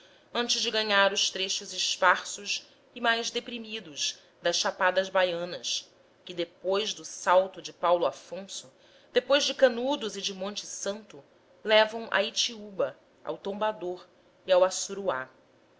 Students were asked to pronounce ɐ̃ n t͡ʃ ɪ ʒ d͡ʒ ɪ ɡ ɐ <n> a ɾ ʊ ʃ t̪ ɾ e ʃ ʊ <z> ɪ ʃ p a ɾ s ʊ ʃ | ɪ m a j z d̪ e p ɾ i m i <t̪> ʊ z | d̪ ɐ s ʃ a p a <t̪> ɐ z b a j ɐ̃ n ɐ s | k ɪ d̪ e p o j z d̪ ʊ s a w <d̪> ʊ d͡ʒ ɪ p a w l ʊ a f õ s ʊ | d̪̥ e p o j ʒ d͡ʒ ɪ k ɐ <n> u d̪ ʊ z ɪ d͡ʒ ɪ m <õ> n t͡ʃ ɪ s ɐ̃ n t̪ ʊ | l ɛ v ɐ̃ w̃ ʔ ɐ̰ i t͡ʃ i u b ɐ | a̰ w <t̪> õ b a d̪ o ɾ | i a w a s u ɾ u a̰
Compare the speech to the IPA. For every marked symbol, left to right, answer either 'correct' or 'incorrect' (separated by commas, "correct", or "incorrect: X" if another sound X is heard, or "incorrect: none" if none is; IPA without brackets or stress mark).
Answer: incorrect: ɲ, correct, incorrect: d̪, incorrect: d̪, incorrect: t̪, correct, correct, correct